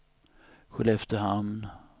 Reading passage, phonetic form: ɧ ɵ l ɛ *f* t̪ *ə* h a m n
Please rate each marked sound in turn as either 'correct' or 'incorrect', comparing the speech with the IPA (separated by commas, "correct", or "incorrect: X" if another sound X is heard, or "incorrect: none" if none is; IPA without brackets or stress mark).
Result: correct, correct